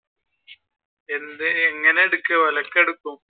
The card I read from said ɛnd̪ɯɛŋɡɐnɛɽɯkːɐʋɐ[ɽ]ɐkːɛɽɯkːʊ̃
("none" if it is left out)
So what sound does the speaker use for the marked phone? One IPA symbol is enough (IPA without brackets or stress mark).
l